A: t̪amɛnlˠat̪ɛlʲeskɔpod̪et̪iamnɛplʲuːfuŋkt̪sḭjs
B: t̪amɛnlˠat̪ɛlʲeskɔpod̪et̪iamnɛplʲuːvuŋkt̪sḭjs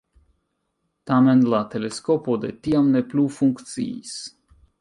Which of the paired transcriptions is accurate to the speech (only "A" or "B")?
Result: A